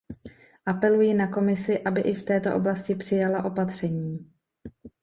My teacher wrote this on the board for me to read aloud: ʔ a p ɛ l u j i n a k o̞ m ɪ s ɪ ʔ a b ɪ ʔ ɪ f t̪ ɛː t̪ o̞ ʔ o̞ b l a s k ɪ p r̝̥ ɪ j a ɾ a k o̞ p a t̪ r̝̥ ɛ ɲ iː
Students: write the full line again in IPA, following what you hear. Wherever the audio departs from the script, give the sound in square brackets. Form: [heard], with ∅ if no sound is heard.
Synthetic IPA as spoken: ʔ a p ɛ l u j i n a k o̞ m ɪ s ɪ ʔ a b ɪ ʔ ɪ f t̪ ɛː t̪ o̞ ʔ o̞ b l a s [c] ɪ p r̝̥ ɪ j a [l] a [ʔ] o̞ p a t̪ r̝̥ ɛ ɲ iː